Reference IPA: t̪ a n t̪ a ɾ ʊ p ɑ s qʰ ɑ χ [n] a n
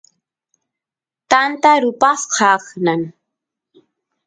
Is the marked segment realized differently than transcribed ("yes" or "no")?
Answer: no